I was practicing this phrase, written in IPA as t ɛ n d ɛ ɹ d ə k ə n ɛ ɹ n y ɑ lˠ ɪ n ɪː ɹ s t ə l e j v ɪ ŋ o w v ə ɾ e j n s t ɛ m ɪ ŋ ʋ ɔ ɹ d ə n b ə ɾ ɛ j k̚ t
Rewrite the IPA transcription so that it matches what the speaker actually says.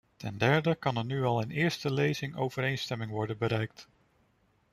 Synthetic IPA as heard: t ɛ n d ɛ ɹ d ə k ɑ n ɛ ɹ n y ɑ lˠ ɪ n ɪː ɹ s t ə l e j z ɪ ŋ o w v ə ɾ e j n s t ɛ m ɪ ŋ ʋ ɔ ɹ d ə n b ə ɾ ɛ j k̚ t